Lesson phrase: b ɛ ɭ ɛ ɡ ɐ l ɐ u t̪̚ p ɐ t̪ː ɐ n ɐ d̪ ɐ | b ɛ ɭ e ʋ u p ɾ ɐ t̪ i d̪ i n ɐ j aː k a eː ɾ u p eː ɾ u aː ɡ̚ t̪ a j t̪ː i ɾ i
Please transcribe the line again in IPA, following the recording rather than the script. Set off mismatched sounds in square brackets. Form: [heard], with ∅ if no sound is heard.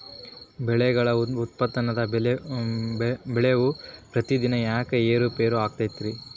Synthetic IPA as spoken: b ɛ ɭ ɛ ɡ ɐ [ɭ] ɐ u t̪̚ p ɐ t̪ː ɐ n ɐ d̪ ɐ | b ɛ ɭ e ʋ u p ɾ ɐ t̪ i d̪ i n ɐ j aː k [e] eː ɾ u p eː ɾ u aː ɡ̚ t̪ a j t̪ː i ɾ i